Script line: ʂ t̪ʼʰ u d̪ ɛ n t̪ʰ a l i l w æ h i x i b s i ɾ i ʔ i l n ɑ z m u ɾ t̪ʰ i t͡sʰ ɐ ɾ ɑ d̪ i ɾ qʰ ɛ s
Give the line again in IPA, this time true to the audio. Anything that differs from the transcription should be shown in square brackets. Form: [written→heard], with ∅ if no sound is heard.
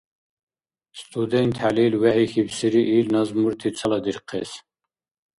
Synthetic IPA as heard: [ʂ→s] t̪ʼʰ u d̪ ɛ n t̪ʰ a l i l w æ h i x i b s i ɾ i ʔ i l n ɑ z m u ɾ t̪ʰ i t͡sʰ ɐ [ɾ→l] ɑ d̪ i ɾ qʰ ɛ s